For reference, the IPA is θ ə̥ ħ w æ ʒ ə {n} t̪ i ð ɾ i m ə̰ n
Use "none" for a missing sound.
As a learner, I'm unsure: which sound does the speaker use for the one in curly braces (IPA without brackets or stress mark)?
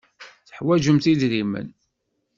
m